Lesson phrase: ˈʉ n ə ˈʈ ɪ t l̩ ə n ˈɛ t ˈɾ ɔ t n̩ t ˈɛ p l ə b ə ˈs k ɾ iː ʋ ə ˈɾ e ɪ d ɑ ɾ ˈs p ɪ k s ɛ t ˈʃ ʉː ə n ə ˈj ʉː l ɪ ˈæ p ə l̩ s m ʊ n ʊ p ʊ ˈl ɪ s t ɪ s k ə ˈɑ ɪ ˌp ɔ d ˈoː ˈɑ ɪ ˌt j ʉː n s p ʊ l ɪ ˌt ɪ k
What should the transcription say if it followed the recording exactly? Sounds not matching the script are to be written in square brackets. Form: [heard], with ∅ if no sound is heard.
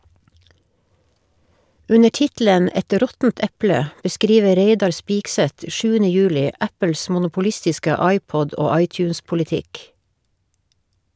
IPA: ˈʉ n ə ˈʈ ɪ t l̩ ə n ˈɛ t ˈɾ ɔ t n̩ t ˈɛ p l ə b ə ˈs k ɾ iː ʋ ə ˈɾ e ɪ d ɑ ɾ ˈs p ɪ k s ɛ t ˈʃ ʉː ə n ə ˈj ʉː l ɪ ˈæ p ə l̩ s m ʊ n ʊ p ʊ ˈl ɪ s t ɪ s k ə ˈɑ ɪ ˌp ɔ d ˈoː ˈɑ ɪ ˌt j ʉː n s p ʊ l ɪ ˌt ɪ k